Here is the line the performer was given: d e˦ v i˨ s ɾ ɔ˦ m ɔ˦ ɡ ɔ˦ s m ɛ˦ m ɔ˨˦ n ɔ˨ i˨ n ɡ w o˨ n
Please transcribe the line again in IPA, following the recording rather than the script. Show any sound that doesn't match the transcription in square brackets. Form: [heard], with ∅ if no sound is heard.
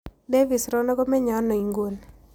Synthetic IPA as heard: d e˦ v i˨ s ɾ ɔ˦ [n] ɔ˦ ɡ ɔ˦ [∅] m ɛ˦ [ɲ] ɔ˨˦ n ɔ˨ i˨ [ŋ] ɡ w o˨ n